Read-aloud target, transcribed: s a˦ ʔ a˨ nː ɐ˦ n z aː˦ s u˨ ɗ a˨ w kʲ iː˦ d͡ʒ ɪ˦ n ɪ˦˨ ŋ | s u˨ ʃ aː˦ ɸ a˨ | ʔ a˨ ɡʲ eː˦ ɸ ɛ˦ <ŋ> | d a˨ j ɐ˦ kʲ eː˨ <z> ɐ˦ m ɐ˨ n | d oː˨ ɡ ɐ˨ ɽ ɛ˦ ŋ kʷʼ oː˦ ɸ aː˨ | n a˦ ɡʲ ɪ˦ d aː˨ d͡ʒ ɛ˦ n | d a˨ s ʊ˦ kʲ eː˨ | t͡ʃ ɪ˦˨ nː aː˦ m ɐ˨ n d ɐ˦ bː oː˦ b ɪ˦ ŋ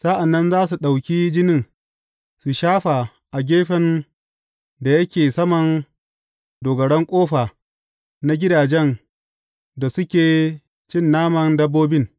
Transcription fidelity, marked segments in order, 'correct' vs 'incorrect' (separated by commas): incorrect, incorrect